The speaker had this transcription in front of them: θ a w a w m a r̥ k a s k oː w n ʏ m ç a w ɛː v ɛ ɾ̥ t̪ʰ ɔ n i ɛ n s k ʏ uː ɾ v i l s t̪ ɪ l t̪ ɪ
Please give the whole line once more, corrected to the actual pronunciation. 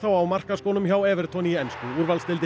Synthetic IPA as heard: θ a w a w m a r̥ k a s k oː w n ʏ m ç a w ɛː v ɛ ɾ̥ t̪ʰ ɔ n i ɛ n s k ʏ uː ɾ v a l s t̪ ɪ l t̪ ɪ